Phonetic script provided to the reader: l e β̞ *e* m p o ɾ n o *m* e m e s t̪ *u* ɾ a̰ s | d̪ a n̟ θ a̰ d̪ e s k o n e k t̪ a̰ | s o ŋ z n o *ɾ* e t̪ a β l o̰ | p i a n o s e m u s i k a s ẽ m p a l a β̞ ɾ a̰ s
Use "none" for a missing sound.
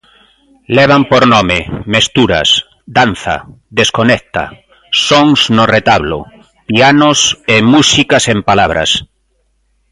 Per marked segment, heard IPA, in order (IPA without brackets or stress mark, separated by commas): a, m, u, r